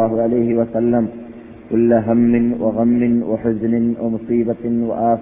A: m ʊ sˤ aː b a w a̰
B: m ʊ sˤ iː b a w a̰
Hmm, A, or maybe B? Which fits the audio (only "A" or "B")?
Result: B